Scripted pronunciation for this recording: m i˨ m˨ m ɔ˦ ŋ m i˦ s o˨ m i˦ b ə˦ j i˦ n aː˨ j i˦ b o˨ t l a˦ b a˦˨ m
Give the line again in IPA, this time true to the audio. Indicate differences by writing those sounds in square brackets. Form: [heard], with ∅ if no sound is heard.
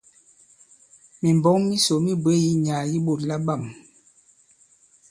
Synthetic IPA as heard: m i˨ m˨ [b] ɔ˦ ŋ m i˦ s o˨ m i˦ b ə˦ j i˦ [ɲ] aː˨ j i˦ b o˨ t l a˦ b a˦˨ m